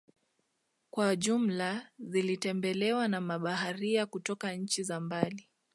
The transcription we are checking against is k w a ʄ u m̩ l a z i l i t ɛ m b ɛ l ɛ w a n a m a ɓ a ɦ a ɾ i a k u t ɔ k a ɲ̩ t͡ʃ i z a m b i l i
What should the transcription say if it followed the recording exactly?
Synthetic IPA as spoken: k w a ʄ u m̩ l a z i l i t ɛ m b ɛ l ɛ w a n a m a ɓ a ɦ a ɾ i a k u t ɔ k a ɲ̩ t͡ʃ i z a m b a l i